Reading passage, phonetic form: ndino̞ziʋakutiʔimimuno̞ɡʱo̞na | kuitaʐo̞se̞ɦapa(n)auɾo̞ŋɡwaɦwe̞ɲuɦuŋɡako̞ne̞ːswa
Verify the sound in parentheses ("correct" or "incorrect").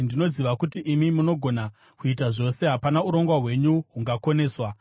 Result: correct